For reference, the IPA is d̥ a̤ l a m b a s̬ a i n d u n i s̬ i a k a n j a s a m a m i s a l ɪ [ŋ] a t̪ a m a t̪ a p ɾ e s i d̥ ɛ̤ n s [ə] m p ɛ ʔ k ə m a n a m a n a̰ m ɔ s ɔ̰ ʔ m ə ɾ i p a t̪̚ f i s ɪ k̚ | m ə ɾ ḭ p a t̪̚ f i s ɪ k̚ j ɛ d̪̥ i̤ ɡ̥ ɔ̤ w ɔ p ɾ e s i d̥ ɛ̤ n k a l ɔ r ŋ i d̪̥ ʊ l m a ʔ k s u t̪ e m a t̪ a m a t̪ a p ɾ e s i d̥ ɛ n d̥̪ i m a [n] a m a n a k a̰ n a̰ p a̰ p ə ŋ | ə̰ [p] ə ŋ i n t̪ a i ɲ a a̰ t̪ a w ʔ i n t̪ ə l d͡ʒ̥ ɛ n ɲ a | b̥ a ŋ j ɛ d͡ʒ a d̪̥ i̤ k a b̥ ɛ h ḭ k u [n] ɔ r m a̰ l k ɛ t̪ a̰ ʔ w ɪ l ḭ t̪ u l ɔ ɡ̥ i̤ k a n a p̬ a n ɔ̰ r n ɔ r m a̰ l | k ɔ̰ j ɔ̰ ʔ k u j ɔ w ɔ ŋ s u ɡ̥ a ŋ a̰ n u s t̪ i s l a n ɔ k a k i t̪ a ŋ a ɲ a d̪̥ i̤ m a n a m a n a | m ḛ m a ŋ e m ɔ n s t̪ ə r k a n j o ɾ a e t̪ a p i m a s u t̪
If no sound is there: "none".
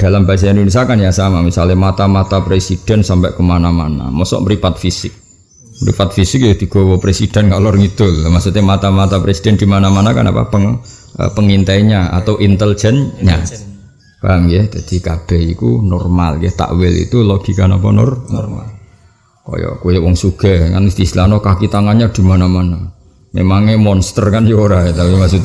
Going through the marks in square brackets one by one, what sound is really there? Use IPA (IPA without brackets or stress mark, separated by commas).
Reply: m, a, n, p, n